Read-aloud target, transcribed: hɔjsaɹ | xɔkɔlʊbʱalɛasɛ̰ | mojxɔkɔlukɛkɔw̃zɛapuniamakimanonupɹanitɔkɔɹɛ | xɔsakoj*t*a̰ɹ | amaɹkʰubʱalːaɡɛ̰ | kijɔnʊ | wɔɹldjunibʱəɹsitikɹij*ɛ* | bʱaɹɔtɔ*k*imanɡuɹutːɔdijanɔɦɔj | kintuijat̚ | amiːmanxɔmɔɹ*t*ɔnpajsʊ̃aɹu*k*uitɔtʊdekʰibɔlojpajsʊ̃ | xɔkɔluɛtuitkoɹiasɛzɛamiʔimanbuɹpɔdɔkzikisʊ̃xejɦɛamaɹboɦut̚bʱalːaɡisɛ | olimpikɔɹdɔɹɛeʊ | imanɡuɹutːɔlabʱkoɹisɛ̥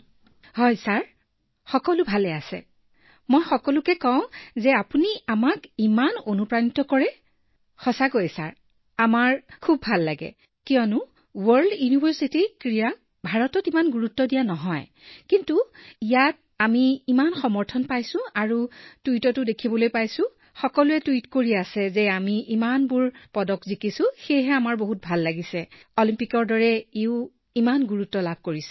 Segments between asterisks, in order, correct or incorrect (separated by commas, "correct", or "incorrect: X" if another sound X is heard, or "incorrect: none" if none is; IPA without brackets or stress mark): incorrect: s, incorrect: a, incorrect: t, incorrect: tʰ, incorrect: t